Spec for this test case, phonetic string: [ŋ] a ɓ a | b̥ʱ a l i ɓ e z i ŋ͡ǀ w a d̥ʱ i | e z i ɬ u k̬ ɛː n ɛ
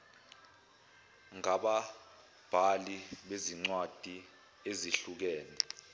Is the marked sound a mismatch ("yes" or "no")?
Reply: no